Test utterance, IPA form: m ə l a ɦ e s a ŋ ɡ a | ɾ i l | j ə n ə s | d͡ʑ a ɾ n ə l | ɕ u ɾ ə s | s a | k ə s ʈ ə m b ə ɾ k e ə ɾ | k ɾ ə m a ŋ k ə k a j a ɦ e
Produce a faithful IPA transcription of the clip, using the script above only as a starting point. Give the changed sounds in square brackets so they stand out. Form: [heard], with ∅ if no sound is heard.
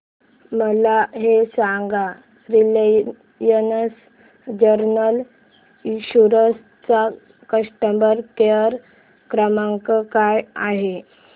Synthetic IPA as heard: m ə l a ɦ e s a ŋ ɡ a | ɾ i l | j ə n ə s | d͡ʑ [ə] ɾ n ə l | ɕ u ɾ ə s | [t͡s] a | k ə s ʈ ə m b ə ɾ k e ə ɾ | k ɾ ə m a ŋ k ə k a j a ɦ e